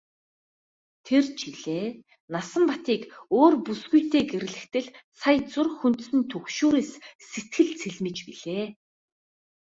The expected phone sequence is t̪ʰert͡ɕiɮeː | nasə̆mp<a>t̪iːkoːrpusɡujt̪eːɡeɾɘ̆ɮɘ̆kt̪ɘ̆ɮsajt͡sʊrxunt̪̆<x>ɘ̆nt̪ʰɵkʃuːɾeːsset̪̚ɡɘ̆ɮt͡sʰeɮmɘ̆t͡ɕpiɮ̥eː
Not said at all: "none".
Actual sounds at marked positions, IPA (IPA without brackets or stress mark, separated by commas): a, s